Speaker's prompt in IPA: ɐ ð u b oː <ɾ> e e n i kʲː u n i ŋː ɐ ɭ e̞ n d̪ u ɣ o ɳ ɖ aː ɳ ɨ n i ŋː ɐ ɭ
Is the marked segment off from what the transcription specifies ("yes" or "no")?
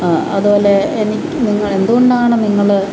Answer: yes